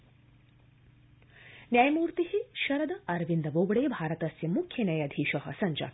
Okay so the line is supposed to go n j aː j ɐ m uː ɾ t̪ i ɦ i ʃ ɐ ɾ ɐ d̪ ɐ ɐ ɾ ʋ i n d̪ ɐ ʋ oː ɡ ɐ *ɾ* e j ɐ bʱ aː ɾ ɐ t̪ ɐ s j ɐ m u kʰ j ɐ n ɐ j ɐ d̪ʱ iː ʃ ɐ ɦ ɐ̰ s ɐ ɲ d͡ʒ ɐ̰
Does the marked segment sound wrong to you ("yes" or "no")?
yes